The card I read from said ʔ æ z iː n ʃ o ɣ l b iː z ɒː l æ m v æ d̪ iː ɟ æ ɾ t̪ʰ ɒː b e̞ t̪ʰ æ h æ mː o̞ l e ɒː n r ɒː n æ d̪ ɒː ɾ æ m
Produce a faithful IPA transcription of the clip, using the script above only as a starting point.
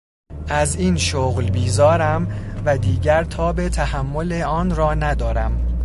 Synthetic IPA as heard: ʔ æ z iː n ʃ o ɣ l b iː z ɒː ɾ æ m v æ d̪ iː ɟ æ ɾ t̪ʰ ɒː b e̞ t̪ʰ æ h æ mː o̞ l e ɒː n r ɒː n æ d̪ ɒː ɾ æ m

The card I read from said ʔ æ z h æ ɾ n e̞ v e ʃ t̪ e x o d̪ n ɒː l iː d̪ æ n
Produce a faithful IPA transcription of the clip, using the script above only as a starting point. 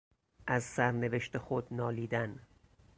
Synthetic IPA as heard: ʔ æ z s æ ɾ n e̞ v e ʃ t̪ e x o d̪ n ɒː l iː d̪ æ n

